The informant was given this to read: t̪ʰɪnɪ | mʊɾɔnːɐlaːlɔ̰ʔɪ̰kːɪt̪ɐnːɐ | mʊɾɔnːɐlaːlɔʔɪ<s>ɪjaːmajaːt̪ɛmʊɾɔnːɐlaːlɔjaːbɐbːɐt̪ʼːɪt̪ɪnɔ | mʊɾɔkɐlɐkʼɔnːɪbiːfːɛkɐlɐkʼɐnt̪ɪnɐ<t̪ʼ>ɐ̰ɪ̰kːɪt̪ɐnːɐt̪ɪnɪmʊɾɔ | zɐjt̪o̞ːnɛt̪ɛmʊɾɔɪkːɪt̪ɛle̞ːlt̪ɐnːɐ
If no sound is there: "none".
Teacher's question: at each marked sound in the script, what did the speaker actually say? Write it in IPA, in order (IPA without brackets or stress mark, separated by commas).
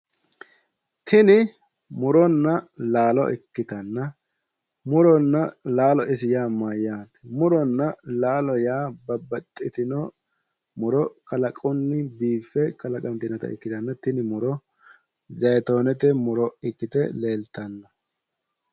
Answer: s, t̪